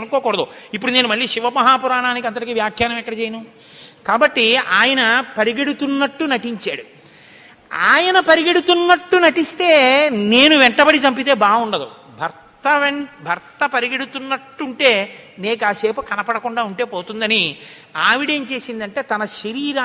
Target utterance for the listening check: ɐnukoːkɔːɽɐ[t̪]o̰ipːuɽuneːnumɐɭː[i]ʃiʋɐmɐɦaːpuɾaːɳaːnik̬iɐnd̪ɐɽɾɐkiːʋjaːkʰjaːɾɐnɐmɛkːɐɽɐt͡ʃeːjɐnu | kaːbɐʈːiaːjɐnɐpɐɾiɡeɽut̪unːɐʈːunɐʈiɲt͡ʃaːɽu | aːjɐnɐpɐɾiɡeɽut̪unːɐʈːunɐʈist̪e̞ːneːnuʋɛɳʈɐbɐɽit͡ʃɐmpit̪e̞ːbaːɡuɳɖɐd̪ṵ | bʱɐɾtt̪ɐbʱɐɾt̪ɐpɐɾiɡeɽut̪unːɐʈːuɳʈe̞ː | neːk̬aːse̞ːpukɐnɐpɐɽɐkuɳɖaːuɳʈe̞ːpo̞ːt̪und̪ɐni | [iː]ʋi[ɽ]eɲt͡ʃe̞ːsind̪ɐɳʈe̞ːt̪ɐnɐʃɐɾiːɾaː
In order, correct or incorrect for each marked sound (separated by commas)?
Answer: incorrect, incorrect, incorrect, correct